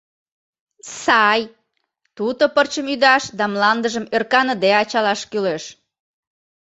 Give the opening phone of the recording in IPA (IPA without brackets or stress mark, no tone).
s